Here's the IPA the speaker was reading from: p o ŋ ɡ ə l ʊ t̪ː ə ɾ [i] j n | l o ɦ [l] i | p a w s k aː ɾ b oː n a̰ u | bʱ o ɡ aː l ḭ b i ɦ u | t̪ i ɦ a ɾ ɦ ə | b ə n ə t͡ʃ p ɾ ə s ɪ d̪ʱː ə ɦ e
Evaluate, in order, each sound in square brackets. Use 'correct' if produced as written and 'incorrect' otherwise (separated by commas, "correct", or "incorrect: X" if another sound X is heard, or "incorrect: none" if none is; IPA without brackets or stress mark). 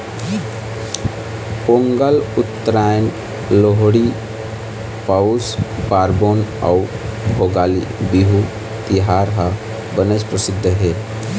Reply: incorrect: a, incorrect: ɽ